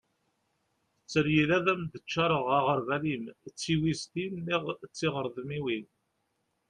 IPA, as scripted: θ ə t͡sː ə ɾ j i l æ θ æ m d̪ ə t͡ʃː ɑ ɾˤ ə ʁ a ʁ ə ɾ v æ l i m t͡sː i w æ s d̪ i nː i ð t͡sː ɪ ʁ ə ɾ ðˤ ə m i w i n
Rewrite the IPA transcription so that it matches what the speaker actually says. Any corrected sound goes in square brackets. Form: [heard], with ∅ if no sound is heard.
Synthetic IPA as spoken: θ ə t͡sː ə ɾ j i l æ [ð] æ m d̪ ə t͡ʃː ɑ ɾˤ ə ʁ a ʁ ə ɾ v æ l i m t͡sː i w [i] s [t̪] i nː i [ʁ] t͡sː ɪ ʁ ə ɾ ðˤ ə m i w i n